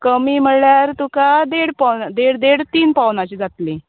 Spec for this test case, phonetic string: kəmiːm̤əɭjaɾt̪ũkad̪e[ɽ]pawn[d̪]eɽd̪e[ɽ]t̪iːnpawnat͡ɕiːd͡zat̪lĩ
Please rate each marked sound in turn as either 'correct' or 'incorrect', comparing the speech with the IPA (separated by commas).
correct, correct, correct